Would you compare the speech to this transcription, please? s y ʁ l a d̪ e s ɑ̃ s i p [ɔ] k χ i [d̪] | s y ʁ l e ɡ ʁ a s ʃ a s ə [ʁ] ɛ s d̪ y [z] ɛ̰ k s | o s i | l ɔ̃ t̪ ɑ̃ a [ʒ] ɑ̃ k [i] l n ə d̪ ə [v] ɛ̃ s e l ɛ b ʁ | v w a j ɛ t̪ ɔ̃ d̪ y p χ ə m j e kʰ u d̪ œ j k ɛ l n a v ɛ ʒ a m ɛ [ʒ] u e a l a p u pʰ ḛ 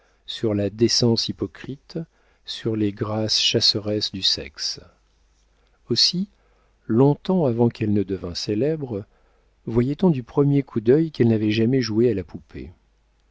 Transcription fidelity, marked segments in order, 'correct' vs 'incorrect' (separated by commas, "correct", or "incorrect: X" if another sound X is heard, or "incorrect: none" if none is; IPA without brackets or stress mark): correct, incorrect: t̪, correct, incorrect: s, incorrect: v, incorrect: ɛ, correct, correct